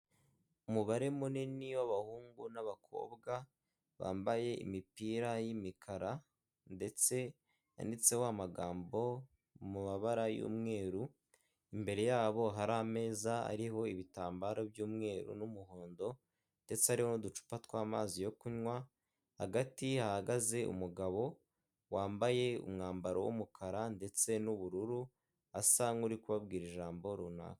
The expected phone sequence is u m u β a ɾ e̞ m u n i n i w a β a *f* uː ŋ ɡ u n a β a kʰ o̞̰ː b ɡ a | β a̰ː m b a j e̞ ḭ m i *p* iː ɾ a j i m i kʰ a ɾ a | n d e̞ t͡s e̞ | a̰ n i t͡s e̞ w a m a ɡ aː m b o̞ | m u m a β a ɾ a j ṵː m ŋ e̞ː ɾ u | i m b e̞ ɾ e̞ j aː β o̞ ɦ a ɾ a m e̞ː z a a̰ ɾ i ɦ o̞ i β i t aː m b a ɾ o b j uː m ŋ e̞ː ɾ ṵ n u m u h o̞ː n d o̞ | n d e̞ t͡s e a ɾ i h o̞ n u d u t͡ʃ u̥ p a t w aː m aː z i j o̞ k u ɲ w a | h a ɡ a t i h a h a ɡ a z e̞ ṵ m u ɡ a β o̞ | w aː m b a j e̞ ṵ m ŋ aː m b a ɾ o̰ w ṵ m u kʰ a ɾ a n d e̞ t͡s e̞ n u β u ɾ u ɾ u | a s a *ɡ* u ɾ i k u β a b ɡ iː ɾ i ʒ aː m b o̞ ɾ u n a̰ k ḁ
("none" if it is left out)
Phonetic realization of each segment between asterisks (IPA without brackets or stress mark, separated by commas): h, p, ŋ